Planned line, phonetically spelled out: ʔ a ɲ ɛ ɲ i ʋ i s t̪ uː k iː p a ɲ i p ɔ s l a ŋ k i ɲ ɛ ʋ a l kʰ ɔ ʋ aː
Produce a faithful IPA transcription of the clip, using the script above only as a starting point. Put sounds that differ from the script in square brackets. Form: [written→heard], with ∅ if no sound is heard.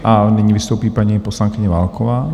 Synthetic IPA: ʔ a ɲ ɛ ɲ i ʋ i s t̪ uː [k→p] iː p a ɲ i p ɔ s l a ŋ k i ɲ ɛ ʋ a l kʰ ɔ ʋ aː